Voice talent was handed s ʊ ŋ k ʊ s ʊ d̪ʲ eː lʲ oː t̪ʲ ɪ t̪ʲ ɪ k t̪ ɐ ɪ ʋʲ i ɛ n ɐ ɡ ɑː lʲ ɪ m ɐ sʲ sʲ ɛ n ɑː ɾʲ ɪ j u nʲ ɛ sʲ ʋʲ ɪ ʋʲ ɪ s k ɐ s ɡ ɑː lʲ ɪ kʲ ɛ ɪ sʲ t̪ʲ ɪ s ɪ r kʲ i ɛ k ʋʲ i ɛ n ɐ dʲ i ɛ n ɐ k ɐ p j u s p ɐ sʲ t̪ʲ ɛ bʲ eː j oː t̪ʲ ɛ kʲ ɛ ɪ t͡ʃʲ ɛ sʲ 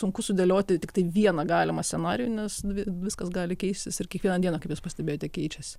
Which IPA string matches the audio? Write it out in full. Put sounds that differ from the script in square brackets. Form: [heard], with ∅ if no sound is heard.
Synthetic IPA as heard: s ʊ ŋ k ʊ s ʊ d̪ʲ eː lʲ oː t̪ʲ ɪ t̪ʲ ɪ k t̪ ɐ ɪ ʋʲ i ɛ n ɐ ɡ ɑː lʲ ɪ m ɐ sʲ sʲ ɛ n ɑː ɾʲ ɪ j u nʲ ɛ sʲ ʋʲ ɪ ʋʲ ɪ s k ɐ s ɡ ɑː lʲ ɪ kʲ ɛ ɪ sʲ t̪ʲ ɪ s ɪ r kʲ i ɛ k ʋʲ i ɛ n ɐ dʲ i ɛ n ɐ k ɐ p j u s p ɐ sʲ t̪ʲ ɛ bʲ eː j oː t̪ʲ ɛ kʲ ɛ ɪ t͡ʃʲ ɛ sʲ